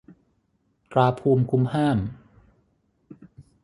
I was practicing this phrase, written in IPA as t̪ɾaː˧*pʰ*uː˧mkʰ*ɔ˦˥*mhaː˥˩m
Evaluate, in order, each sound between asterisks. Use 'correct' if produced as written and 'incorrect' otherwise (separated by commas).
correct, incorrect